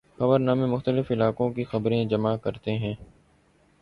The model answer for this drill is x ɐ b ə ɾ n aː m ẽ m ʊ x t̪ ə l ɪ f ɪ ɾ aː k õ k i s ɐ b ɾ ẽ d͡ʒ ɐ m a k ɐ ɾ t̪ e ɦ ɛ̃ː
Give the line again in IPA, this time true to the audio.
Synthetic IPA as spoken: x ɐ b ə ɾ n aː m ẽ m ʊ x t̪ ə l ɪ f ɪ l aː k õ k i x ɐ b ɾ ẽ d͡ʒ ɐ m a k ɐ ɾ t̪ e ɦ ɛ̃ː